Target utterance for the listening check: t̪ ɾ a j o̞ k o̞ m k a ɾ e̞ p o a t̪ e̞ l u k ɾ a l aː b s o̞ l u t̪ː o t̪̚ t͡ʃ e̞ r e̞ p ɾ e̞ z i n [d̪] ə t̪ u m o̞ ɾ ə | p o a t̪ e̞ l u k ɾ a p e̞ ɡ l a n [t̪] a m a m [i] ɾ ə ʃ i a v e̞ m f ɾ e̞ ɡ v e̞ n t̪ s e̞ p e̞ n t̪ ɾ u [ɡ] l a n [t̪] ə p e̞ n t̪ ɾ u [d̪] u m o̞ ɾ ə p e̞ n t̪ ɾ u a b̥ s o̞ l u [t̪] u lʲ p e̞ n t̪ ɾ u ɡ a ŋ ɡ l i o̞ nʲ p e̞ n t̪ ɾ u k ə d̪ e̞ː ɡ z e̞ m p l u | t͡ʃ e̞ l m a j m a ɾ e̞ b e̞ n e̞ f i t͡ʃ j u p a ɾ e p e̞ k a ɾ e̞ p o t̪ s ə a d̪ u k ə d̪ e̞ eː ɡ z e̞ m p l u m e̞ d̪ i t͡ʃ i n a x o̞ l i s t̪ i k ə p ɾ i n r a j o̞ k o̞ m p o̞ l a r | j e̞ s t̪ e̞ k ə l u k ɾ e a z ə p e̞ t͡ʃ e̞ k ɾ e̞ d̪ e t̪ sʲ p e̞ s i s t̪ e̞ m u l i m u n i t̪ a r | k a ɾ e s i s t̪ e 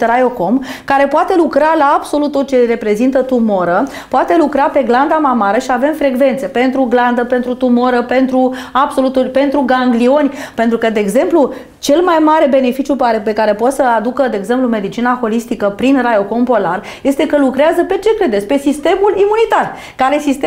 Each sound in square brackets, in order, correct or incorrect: incorrect, incorrect, incorrect, correct, incorrect, incorrect, correct

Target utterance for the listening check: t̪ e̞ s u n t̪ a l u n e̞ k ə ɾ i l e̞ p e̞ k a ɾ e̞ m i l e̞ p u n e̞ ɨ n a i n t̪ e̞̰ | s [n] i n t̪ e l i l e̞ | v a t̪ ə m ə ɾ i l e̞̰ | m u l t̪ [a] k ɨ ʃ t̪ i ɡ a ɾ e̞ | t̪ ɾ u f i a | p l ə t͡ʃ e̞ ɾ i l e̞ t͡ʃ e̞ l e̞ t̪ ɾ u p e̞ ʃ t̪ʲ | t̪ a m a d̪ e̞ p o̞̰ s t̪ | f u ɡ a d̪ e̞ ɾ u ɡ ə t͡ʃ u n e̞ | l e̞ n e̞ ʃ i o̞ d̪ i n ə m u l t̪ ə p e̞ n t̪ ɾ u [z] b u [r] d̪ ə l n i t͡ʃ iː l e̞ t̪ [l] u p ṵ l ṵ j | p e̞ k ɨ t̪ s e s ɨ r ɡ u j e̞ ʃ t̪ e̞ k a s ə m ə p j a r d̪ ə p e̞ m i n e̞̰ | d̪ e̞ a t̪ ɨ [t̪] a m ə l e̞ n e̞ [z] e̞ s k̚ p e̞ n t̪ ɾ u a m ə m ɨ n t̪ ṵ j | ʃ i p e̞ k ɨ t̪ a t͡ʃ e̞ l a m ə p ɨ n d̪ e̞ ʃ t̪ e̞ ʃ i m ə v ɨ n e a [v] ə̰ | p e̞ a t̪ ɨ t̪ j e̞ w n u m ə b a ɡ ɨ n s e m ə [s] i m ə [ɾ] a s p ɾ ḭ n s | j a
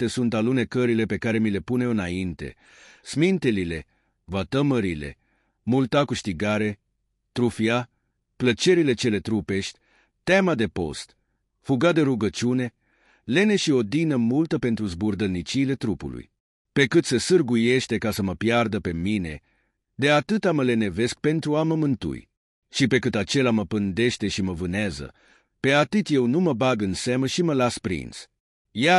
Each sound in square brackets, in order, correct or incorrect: incorrect, correct, correct, correct, incorrect, correct, incorrect, incorrect, incorrect, incorrect

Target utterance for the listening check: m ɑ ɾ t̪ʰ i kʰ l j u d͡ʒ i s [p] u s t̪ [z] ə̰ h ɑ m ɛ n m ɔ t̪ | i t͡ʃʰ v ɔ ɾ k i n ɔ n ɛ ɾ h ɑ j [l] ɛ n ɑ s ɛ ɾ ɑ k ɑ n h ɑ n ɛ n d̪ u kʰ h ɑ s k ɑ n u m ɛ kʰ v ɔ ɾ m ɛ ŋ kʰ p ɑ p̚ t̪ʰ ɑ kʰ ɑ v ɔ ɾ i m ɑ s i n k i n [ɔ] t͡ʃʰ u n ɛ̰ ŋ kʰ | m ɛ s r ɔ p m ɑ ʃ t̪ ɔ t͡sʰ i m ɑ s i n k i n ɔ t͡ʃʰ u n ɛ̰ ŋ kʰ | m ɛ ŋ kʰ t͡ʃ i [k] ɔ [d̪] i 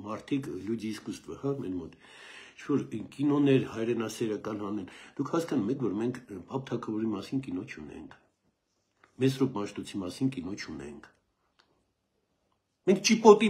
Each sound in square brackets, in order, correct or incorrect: incorrect, incorrect, incorrect, correct, incorrect, incorrect

